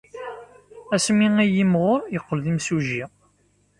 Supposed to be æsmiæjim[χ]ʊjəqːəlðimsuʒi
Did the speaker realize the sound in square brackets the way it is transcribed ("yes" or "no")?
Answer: no